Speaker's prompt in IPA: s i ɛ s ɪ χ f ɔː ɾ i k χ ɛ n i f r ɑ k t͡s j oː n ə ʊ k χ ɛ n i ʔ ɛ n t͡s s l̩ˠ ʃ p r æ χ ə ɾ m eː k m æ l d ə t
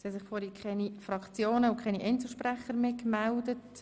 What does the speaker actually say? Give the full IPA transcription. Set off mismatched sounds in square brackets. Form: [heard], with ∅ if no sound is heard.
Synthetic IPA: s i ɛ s ɪ χ f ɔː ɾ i k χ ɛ n i f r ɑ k t͡s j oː n ə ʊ k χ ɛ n i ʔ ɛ n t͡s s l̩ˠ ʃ p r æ χ ə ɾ m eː k m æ l d ə t